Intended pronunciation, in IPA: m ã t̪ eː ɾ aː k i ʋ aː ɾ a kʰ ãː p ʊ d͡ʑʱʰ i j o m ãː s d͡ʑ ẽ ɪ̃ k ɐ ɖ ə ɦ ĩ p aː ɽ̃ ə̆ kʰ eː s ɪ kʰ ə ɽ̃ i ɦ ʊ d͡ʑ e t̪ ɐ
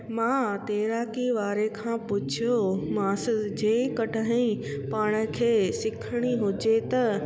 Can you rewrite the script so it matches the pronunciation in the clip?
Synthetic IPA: m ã t̪ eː ɾ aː k i ʋ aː ɾ e kʰ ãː p ʊ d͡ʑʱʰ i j o m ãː s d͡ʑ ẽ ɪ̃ k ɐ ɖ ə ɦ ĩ p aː ɽ̃ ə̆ kʰ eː s ɪ kʰ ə ɽ̃ i ɦ ʊ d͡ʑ e t̪ ɐ